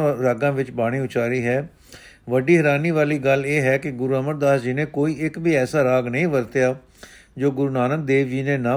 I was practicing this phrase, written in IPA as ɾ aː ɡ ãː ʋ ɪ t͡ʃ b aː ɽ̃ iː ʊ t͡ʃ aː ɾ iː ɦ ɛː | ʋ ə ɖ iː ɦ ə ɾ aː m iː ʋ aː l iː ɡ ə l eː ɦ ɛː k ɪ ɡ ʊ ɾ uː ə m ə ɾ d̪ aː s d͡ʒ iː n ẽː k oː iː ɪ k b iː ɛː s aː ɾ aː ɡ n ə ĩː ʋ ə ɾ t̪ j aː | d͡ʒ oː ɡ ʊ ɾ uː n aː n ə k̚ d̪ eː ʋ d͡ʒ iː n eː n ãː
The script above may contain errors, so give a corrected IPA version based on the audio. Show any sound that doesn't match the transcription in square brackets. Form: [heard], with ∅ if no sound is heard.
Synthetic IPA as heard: ɾ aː ɡ ãː ʋ ɪ t͡ʃ b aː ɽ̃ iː ʊ t͡ʃ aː ɾ iː ɦ ɛː | ʋ ə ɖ iː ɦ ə ɾ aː [n] iː ʋ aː l iː ɡ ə l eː ɦ ɛː k ɪ ɡ ʊ ɾ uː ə m ə ɾ d̪ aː s d͡ʒ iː n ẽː k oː iː ɪ k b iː ɛː s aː ɾ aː ɡ n ə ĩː ʋ ə ɾ t̪ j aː | d͡ʒ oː ɡ ʊ ɾ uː n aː n ə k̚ d̪ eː ʋ d͡ʒ iː n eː n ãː